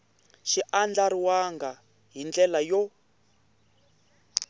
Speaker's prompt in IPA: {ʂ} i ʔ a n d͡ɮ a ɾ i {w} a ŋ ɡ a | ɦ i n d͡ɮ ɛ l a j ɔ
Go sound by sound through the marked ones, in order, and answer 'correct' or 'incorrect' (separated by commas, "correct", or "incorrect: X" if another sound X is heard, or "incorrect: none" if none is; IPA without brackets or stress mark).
incorrect: ʃ, correct